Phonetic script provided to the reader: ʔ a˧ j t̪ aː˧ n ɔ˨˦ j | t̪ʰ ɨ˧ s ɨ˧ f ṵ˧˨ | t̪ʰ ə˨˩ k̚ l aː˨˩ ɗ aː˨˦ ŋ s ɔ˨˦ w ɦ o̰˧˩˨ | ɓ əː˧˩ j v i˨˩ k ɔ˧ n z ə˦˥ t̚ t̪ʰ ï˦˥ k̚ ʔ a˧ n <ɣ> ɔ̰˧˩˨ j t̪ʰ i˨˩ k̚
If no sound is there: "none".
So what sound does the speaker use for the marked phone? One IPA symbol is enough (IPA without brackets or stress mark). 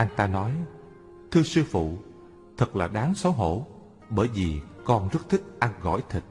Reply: ɣ